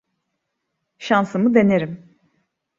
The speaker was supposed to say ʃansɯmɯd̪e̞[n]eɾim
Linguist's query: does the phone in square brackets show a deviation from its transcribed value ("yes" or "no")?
no